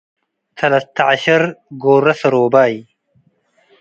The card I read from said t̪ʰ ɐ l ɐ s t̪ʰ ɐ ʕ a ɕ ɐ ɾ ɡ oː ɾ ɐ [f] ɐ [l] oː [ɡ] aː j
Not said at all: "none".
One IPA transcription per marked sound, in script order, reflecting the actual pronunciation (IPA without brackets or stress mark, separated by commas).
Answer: s, ɾ, b